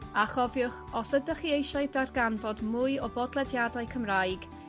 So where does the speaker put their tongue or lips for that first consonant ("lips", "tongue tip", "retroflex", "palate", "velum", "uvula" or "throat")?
uvula